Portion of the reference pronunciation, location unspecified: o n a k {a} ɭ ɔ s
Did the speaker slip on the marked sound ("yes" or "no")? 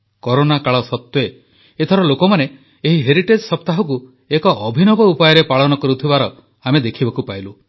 no